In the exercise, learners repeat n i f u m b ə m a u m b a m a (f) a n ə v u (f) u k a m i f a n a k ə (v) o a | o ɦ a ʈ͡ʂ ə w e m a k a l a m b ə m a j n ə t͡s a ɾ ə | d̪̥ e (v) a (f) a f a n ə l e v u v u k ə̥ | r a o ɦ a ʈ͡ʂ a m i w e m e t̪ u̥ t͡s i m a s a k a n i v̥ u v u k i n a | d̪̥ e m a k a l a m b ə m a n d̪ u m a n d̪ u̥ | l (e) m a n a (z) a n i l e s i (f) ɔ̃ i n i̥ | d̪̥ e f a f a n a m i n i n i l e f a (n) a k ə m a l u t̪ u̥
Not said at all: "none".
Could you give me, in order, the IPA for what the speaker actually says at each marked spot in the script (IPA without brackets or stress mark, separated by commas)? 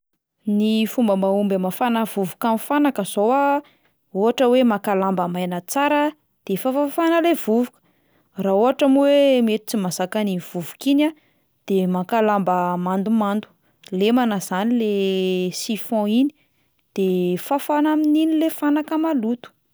f, v, z, f, f, e, z, f, n